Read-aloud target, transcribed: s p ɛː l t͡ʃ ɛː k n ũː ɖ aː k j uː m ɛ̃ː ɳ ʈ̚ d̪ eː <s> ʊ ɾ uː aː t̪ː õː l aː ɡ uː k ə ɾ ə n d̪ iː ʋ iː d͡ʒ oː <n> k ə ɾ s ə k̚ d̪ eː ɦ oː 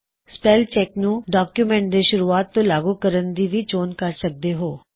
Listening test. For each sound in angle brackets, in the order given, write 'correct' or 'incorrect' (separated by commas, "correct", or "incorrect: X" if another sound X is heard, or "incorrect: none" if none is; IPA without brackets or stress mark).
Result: incorrect: ʃ, correct